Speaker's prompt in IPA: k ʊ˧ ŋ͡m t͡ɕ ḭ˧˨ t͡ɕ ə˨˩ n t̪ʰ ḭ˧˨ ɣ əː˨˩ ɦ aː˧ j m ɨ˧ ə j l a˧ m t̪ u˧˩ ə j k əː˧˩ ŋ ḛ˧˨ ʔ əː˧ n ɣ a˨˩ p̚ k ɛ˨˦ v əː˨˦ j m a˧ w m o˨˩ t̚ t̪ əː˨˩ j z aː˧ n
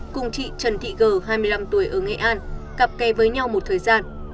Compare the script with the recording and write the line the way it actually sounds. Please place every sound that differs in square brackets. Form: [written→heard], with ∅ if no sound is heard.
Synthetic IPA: k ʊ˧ ŋ͡m t͡ɕ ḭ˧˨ t͡ɕ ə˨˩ n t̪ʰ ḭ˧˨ ɣ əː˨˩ ɦ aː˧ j m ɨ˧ ə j l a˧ m t̪ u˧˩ ə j [k→ʔ] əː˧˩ ŋ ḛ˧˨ ʔ [əː˧→aː˧] n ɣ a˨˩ p̚ k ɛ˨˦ v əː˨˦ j [m→ɲ] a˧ w m o˨˩ t̚ [t̪→t̪ʰ] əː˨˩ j z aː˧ n